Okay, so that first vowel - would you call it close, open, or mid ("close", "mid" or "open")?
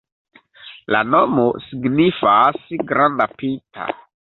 open